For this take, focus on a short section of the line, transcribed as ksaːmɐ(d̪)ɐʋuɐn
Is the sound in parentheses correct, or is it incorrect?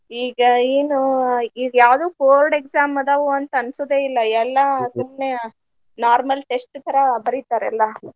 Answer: correct